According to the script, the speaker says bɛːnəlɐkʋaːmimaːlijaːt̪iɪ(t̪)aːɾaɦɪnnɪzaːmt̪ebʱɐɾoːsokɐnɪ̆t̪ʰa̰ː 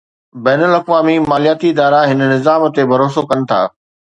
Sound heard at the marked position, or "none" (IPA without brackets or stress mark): d̪